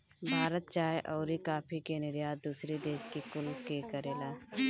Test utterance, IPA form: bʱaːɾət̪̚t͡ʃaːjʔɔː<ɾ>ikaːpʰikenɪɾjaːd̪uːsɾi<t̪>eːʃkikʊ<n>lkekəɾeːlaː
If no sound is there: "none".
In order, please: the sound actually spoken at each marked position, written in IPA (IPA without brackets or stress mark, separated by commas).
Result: ɾ, d̪, none